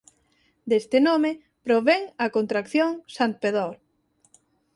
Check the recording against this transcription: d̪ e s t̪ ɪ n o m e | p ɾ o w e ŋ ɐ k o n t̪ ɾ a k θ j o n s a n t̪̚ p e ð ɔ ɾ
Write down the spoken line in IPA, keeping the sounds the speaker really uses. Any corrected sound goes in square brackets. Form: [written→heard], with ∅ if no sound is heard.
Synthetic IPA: d̪ e s t̪ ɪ n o m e | p ɾ o [w→β] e ŋ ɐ k o n t̪ ɾ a k θ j o [n→ŋ] s a n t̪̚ p e ð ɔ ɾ